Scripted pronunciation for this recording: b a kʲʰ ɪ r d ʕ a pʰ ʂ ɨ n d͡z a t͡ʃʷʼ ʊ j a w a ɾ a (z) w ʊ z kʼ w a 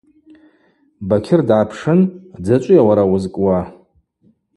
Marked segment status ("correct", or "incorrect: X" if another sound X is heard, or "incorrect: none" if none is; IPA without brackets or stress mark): incorrect: none